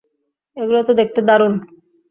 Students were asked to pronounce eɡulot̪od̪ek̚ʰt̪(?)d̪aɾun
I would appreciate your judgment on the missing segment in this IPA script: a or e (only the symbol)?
e